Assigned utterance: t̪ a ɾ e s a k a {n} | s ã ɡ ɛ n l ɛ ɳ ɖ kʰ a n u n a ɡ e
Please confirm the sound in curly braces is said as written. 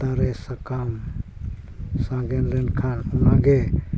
no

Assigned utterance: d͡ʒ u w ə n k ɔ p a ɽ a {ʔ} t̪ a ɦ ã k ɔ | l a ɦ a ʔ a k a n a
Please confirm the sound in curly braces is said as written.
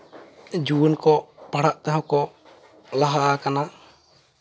yes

